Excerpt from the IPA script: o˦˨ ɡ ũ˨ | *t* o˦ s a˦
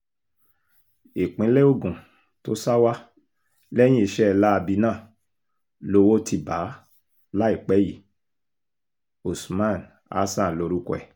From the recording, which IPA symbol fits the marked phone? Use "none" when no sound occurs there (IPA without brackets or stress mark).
t